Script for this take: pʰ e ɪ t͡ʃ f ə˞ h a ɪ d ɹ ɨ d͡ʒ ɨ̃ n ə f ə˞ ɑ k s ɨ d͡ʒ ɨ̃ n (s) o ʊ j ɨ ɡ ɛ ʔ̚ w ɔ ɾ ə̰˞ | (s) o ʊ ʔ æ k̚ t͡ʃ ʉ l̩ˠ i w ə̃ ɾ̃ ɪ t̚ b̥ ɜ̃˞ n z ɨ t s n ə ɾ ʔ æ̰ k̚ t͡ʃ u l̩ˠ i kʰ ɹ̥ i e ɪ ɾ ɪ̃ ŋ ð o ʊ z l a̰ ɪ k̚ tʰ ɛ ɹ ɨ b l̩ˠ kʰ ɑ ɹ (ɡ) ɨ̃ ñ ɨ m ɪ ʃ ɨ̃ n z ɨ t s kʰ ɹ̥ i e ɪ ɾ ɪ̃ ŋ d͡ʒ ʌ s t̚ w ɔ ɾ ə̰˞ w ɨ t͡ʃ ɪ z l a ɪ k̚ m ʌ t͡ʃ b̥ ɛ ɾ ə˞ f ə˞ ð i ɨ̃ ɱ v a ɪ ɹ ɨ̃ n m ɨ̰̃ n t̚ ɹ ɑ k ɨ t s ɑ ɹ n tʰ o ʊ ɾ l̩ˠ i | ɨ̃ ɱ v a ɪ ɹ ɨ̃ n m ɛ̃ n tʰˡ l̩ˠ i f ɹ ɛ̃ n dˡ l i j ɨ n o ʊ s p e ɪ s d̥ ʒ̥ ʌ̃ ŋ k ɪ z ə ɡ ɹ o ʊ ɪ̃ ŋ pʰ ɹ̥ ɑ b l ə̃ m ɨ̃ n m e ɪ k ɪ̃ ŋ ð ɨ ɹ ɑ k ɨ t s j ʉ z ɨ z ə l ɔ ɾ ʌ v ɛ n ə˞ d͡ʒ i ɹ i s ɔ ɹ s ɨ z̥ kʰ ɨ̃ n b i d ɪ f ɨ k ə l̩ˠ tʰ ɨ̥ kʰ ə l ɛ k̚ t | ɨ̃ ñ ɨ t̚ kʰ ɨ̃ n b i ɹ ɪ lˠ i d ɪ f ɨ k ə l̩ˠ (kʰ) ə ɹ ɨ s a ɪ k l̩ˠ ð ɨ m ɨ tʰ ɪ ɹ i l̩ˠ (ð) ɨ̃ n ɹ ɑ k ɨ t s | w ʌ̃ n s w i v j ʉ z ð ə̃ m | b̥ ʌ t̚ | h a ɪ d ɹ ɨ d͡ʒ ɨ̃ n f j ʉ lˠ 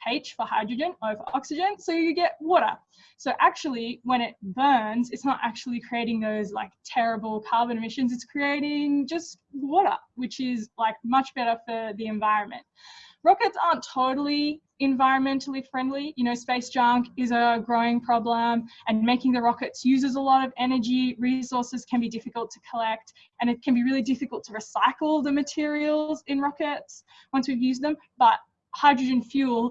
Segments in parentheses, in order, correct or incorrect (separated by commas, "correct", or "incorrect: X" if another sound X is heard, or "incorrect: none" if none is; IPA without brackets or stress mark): correct, correct, incorrect: b, incorrect: tʰ, incorrect: z